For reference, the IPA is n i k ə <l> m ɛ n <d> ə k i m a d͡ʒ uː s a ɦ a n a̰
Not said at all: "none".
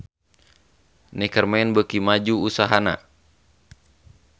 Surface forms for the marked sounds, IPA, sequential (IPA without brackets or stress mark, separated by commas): r, b